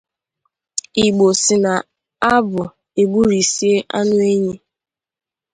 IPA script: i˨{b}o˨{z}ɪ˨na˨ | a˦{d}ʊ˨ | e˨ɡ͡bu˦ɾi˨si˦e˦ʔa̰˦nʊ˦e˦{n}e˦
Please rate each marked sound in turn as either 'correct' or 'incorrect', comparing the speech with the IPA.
incorrect, incorrect, incorrect, incorrect

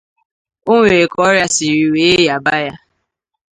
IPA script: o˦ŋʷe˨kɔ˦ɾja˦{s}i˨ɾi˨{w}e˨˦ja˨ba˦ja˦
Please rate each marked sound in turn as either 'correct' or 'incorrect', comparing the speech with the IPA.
correct, correct

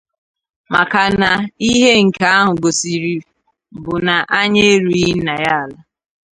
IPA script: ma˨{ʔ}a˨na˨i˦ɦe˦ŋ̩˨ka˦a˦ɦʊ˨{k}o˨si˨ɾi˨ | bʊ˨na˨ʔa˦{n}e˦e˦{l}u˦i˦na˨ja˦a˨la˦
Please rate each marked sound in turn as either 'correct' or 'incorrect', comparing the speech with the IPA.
incorrect, incorrect, incorrect, incorrect

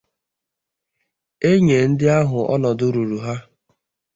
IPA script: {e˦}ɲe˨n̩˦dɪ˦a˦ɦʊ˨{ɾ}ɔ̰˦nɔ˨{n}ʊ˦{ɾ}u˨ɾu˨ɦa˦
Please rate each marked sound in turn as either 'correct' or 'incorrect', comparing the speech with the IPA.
correct, incorrect, incorrect, correct

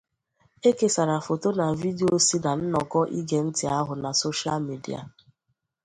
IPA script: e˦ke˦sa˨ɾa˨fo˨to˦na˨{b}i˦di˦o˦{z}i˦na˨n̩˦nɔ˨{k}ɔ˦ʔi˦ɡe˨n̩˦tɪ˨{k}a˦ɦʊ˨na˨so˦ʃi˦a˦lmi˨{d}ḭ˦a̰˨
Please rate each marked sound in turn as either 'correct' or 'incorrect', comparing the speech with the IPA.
incorrect, incorrect, correct, incorrect, correct

